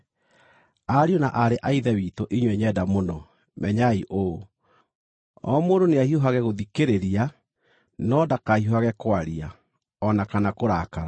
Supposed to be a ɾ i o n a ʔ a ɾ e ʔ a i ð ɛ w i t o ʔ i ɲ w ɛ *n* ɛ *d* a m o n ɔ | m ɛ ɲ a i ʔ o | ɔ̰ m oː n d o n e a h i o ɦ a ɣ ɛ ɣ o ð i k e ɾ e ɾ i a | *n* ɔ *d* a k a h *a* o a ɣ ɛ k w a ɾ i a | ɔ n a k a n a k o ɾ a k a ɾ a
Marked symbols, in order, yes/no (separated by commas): no, yes, yes, yes, no